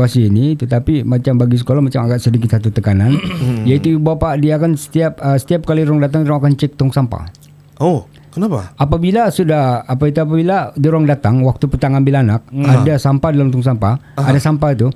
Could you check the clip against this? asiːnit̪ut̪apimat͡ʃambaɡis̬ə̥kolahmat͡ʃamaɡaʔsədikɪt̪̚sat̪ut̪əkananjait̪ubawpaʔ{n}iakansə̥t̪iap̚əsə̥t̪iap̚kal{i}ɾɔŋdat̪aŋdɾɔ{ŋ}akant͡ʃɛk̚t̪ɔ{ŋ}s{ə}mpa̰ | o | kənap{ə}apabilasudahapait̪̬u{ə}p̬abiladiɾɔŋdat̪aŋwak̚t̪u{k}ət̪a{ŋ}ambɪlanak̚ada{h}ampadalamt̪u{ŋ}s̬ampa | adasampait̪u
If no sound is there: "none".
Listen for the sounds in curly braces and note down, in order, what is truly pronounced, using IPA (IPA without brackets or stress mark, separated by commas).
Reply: d, i, ŋ, ŋ, a, a, a, p, ŋ, s, ŋ